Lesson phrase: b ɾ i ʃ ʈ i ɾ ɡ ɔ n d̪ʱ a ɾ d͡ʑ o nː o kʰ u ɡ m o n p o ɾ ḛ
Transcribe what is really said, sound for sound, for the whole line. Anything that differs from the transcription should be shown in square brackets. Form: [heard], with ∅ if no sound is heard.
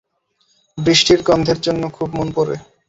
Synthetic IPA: b ɾ i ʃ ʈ i ɾ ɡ ɔ n d̪ʱ [e] ɾ d͡ʑ o nː o kʰ u [b] m o n p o ɾ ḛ

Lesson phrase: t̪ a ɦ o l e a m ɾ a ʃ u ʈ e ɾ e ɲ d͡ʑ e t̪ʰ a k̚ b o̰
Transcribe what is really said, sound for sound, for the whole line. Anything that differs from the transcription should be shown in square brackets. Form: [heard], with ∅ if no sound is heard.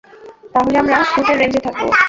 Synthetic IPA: t̪ a ɦ o l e a m ɾ a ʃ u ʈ e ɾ e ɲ d͡ʑ e t̪ʰ a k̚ b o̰

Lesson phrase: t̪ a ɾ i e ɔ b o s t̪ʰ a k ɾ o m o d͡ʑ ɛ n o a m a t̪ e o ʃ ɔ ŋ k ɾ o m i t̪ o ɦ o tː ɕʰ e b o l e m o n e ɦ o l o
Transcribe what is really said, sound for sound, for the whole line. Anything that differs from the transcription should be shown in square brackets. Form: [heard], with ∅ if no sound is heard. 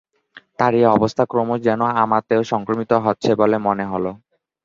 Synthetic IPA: t̪ a ɾ i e ɔ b o s t̪ʰ a k ɾ o m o d͡ʑ ɛ n o a m a t̪ e o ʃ ɔ ŋ k ɾ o m i t̪ o ɦ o tː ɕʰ e b o l e m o n e ɦ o l o

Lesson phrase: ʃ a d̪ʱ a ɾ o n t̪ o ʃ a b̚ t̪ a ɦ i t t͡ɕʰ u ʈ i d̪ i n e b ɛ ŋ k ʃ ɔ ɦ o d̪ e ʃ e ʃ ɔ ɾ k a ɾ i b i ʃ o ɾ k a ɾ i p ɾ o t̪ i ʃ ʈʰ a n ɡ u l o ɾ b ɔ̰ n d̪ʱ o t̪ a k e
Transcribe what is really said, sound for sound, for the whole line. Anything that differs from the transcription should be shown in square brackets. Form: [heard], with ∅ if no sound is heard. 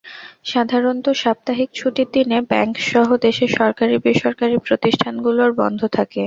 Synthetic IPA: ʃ a d̪ʱ a ɾ o n t̪ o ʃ a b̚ t̪ a ɦ i [k] t͡ɕʰ u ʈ i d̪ i n e b ɛ ŋ k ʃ ɔ ɦ o d̪ e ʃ e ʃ ɔ ɾ k a ɾ i b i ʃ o ɾ k a ɾ i p ɾ o t̪ i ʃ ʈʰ a n ɡ u l o ɾ b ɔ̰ n d̪ʱ o [t̪ʰ] a k e

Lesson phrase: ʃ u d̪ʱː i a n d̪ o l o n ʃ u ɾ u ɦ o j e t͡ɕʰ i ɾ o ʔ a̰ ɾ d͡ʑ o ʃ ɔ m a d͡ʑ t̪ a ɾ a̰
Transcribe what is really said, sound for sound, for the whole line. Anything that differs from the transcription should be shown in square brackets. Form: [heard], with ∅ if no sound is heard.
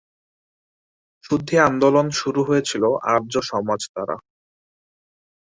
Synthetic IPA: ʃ u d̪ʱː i a n d̪ o l o n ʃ u ɾ u ɦ o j e t͡ɕʰ i [l] o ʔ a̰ ɾ d͡ʑ o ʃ ɔ m a d͡ʑ t̪ a ɾ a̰

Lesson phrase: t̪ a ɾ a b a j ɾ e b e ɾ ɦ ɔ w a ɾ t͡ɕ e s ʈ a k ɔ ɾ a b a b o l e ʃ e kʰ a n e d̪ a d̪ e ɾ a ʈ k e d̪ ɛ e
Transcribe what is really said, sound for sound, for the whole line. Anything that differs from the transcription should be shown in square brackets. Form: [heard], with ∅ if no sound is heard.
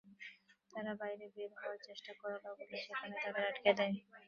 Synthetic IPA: t̪ a ɾ a b a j ɾ e b e ɾ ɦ ɔ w a ɾ t͡ɕ e [ʃ] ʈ a k ɔ ɾ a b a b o l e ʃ e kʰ a n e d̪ a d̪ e ɾ a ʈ k e d̪ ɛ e

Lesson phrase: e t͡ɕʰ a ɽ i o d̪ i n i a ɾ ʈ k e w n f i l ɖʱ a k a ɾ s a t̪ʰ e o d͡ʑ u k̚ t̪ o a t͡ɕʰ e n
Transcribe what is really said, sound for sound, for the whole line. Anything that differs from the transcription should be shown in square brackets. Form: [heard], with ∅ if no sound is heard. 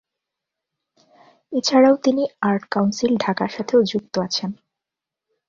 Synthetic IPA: e t͡ɕʰ a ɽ [a] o [t̪] i n i a ɾ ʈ k [a] w n [s] i l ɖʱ a k a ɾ [ʃ] a t̪ʰ e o d͡ʑ u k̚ t̪ o a t͡ɕʰ e n

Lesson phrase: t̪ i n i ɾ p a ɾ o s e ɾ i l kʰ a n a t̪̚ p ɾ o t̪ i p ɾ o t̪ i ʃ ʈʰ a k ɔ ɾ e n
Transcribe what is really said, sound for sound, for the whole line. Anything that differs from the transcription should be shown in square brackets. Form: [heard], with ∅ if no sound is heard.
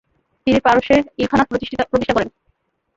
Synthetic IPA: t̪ i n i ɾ p a ɾ o [ʃ] e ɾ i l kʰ a n a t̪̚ p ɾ o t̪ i p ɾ o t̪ i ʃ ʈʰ a k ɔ ɾ e n

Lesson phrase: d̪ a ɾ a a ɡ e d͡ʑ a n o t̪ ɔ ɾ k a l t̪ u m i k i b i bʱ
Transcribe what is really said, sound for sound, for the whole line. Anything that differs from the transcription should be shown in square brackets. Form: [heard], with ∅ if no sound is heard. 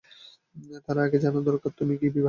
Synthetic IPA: [t̪] a ɾ a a ɡ e d͡ʑ a n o [d̪] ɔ ɾ k a [ɾ] t̪ u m i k i b i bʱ

